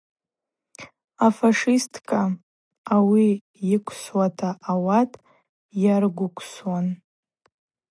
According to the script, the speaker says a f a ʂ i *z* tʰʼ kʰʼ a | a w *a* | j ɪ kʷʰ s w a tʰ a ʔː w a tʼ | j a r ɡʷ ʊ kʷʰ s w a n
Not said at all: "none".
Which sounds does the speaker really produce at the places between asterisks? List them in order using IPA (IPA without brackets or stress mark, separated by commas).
s, i